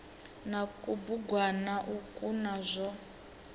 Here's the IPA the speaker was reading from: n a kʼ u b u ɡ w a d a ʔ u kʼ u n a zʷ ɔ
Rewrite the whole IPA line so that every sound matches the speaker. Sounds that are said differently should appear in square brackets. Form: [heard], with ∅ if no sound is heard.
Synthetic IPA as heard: n a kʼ u b u ɡ w a [n] a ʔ u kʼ u n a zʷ ɔ